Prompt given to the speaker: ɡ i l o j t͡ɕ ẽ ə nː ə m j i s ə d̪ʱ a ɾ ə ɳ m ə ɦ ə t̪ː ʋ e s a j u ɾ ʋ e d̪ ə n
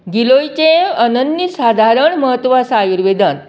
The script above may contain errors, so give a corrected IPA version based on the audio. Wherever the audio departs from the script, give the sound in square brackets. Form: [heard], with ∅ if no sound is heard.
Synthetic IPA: ɡ i l o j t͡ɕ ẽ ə [n] ə [n] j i s [a] d̪ʱ a ɾ ə ɳ m ə ɦ ə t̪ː ʋ [a] s a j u ɾ ʋ e d̪ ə n

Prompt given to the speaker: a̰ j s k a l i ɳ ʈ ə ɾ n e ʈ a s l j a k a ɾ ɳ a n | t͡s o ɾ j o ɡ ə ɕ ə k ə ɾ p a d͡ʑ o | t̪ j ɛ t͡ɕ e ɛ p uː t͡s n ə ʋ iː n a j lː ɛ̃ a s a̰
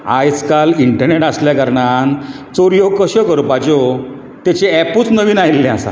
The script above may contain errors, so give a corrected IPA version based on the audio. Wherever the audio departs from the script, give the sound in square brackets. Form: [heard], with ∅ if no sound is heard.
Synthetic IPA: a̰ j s k a l i ɳ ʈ ə ɾ n e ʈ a s l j a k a ɾ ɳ a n | t͡s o ɾ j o [k] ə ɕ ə k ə ɾ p a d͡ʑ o | t̪ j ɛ t͡ɕ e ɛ p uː t͡s n ə ʋ iː n a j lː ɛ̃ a s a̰

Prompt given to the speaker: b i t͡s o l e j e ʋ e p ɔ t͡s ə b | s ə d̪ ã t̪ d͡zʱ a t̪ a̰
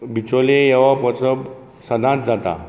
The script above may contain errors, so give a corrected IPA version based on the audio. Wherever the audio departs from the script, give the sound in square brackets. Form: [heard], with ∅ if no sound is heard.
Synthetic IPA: b i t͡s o l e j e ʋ [a] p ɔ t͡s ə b | s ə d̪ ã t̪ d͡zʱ a t̪ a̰

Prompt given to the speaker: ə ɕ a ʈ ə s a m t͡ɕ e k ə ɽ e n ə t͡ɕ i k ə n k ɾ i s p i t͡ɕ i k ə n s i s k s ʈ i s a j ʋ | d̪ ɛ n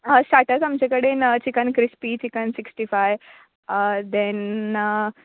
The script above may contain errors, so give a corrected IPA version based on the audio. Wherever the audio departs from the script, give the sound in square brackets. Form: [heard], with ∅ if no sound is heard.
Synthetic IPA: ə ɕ a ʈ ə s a m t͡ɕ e k ə ɽ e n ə t͡ɕ i k ə n k ɾ i s p i t͡ɕ i k ə n s i [∅] k s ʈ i [f] a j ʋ | d̪ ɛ n

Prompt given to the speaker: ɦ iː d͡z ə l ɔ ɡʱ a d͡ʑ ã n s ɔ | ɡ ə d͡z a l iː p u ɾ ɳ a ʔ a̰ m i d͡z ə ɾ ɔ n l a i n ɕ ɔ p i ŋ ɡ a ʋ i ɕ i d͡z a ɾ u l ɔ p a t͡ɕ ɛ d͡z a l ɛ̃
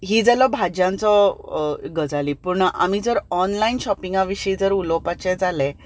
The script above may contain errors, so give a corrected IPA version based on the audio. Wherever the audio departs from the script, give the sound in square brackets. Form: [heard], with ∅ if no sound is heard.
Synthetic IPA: ɦ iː d͡z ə l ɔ [bʱ] a d͡ʑ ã n [t͡s] ɔ | ɡ ə d͡z a l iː p u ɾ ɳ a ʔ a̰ m i d͡z ə ɾ ɔ n l a i n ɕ ɔ p i ŋ ɡ a ʋ i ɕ i d͡z [ə] ɾ u l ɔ p a t͡ɕ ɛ d͡z a l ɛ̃

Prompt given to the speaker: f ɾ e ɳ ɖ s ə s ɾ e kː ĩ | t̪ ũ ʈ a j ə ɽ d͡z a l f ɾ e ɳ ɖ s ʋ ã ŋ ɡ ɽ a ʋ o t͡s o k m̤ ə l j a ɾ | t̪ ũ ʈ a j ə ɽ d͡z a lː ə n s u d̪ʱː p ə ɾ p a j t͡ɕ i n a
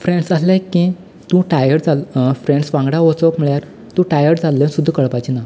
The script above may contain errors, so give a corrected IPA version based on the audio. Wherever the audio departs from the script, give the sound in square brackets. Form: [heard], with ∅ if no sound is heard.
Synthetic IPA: f ɾ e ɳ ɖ s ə s [l] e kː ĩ | t̪ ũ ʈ a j ə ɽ d͡z a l f ɾ e ɳ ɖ s ʋ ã ŋ ɡ ɽ a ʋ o t͡s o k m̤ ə [ɭ] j a ɾ | t̪ ũ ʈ a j ə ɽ d͡z a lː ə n s u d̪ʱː [k] ə [ɭ] p a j t͡ɕ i n a

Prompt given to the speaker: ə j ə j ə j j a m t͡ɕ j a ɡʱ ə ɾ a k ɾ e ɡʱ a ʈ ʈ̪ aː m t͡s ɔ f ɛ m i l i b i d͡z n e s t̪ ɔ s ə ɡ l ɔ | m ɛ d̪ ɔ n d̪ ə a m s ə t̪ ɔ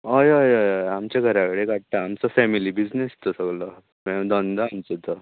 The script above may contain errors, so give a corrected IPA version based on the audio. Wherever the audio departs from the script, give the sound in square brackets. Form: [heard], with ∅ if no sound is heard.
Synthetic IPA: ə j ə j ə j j a m t͡ɕ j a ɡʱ ə ɾ a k [ɽ] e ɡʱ a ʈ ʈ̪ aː m t͡s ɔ f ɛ m i l i b i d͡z n e s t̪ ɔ s ə ɡ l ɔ | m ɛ d̪ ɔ n d̪ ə a m [t͡s] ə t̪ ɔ

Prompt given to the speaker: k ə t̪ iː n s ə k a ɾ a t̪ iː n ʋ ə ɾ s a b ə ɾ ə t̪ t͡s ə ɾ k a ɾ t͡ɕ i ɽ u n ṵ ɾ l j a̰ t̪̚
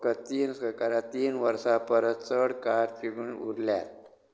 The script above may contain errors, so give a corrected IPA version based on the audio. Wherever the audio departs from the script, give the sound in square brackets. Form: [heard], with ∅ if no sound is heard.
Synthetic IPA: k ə t̪ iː n s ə k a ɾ a t̪ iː n ʋ ə ɾ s a [p] ə ɾ ə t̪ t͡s ə [ɽ] k a ɾ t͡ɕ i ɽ u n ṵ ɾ l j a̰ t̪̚

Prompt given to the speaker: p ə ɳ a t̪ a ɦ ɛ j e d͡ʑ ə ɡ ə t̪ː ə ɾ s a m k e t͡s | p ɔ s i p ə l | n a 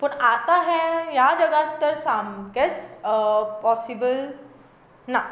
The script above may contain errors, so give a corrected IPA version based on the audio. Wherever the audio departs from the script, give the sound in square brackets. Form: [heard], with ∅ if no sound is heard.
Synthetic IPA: p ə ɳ a t̪ a ɦ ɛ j [a] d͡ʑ ə ɡ [a] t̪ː ə ɾ s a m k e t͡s | p ɔ s i [b] ə l | n a

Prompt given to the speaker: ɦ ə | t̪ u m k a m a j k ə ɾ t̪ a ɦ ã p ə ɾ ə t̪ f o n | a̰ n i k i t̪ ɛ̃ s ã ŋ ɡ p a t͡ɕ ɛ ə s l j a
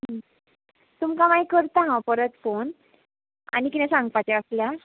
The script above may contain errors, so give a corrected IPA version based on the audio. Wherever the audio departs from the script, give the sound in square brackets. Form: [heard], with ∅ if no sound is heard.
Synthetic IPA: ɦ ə | t̪ u m k a m a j k ə ɾ t̪ a ɦ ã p ə ɾ ə t̪ f o n | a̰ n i k i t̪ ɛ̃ s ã ŋ ɡ p a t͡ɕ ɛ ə s l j a

